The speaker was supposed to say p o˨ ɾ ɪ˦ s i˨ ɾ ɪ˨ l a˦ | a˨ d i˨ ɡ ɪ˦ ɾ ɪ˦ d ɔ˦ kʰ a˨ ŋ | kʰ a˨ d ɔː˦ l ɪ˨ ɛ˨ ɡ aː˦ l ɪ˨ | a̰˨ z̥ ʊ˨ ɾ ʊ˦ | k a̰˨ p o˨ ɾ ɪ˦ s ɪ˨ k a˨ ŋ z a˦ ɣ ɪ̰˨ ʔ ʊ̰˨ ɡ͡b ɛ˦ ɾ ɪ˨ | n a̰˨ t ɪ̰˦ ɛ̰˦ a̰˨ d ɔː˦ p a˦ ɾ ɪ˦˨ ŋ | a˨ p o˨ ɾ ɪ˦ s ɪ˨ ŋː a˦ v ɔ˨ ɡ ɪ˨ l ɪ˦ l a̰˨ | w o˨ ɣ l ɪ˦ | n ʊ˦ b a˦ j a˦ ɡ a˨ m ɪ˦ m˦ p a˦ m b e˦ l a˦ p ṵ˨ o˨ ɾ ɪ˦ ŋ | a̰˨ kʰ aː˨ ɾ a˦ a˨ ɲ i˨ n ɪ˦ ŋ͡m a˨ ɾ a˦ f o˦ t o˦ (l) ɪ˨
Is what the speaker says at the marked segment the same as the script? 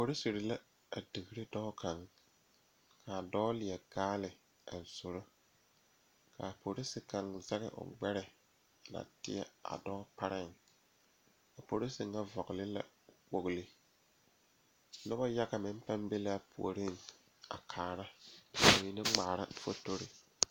no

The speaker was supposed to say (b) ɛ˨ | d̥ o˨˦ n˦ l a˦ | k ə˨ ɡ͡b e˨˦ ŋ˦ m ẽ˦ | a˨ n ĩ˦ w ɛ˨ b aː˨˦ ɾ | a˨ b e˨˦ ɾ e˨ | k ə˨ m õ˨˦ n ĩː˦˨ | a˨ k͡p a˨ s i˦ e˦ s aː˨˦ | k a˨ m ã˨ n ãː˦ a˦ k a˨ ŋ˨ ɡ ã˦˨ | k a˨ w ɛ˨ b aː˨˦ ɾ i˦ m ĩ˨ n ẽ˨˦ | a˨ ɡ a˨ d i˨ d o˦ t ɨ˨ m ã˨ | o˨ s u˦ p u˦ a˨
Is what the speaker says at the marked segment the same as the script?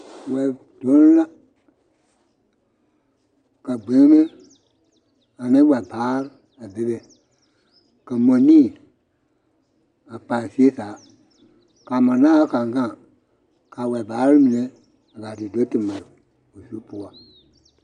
no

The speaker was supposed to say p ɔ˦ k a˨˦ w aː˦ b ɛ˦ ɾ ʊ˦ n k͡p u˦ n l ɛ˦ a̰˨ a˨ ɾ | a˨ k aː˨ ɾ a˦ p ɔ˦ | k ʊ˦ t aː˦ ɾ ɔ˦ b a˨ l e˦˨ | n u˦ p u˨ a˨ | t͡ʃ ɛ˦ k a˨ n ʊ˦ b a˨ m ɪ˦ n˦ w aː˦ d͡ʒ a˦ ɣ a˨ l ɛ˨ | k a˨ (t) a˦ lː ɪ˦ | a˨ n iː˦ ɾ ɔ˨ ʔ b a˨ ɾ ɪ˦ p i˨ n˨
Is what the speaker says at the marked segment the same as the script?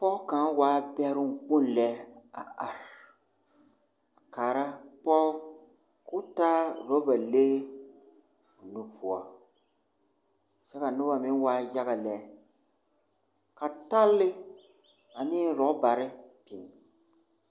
yes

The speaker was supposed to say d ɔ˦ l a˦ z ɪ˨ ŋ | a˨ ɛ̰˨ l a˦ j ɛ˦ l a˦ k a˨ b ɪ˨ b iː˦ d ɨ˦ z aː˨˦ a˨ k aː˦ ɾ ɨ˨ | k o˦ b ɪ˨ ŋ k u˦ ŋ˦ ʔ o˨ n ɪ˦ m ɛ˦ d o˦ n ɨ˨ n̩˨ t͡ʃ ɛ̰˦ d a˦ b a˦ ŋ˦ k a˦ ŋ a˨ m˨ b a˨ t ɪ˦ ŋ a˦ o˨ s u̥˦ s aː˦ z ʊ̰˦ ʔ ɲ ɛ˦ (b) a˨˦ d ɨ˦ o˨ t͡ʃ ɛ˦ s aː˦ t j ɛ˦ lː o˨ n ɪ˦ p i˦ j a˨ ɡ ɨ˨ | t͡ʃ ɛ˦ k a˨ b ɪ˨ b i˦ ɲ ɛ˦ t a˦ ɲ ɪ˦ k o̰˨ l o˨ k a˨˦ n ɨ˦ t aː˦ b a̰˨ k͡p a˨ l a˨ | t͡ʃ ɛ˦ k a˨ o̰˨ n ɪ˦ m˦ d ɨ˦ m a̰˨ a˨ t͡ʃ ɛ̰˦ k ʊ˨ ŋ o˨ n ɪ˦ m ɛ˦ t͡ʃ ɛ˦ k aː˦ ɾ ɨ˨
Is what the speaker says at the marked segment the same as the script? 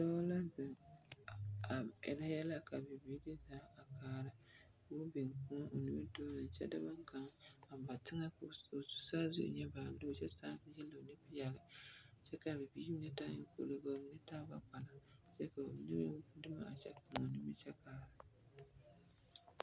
yes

